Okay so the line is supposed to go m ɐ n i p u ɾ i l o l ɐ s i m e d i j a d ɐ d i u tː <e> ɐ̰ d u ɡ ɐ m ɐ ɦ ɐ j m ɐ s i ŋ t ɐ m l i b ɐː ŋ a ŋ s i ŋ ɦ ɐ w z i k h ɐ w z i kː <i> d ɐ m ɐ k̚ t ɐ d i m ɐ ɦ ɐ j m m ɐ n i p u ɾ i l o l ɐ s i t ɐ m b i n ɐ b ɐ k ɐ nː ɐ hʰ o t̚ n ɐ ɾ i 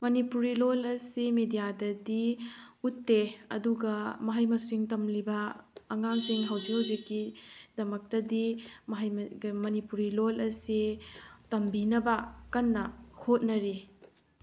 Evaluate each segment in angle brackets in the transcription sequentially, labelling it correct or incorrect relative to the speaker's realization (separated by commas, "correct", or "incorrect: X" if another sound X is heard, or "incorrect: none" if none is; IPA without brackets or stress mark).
correct, correct